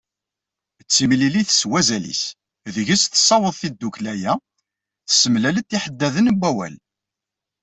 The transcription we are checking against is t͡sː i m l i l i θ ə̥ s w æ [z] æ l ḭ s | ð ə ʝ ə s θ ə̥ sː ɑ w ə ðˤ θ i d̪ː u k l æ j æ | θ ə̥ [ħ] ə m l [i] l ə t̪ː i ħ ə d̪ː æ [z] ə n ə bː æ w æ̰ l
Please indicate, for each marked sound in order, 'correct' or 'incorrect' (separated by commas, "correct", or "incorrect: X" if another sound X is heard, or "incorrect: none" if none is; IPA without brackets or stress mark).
correct, incorrect: s, incorrect: æ, incorrect: ð